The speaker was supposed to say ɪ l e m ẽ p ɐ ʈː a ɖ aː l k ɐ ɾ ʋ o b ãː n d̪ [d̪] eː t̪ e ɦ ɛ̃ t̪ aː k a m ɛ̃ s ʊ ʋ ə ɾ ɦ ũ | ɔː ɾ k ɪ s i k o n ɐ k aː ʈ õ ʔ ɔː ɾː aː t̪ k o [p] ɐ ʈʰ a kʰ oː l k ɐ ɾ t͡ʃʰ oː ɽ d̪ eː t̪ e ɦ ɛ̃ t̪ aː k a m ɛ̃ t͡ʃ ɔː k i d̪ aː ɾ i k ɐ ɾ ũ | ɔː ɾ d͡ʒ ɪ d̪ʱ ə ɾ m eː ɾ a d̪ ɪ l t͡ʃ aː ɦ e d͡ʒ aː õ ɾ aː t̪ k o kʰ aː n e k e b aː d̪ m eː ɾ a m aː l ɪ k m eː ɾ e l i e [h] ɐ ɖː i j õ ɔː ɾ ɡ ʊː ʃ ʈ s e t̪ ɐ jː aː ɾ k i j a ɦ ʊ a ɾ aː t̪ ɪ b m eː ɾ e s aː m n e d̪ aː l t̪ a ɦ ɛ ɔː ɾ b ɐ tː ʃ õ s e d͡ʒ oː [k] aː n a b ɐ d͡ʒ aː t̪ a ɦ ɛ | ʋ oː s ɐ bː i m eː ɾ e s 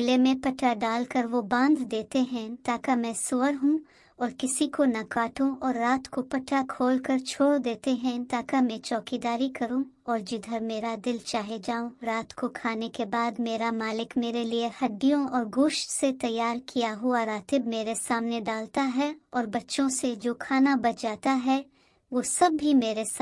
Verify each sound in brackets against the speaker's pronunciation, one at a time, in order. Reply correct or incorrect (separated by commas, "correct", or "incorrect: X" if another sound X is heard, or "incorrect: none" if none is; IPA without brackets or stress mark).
correct, correct, correct, incorrect: kʰ